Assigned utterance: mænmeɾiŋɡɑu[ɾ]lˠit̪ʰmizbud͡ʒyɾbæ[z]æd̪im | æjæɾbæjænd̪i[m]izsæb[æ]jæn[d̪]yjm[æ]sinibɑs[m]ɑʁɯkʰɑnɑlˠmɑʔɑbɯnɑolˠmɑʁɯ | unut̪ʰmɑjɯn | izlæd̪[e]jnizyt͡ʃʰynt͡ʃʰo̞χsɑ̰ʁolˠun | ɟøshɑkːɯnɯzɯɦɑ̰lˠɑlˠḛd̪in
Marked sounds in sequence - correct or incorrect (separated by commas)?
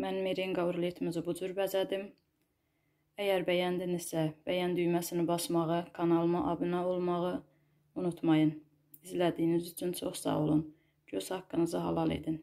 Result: correct, correct, incorrect, correct, correct, correct, correct, incorrect